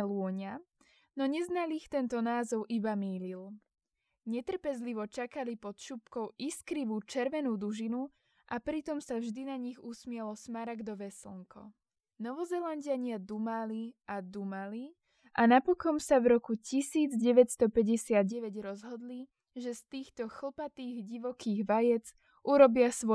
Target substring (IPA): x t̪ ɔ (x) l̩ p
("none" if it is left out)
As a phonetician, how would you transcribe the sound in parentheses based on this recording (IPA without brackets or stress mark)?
x